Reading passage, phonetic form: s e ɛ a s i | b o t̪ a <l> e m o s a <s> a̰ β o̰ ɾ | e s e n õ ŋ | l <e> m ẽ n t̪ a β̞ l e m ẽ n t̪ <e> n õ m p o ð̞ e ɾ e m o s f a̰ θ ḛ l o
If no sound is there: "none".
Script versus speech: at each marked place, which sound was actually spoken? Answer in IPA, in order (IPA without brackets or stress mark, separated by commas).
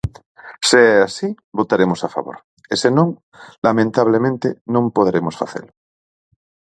ɾ, f, a, e